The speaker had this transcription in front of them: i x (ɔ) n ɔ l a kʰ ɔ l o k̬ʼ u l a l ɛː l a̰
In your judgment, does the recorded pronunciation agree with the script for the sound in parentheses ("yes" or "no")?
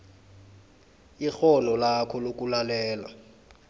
yes